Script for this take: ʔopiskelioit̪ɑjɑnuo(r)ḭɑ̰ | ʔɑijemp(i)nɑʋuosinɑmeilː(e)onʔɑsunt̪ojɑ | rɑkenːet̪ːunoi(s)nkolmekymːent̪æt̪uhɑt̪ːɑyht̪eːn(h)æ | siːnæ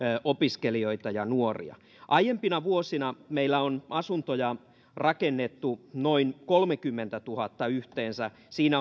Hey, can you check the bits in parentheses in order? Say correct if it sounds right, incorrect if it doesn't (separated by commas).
correct, correct, incorrect, incorrect, incorrect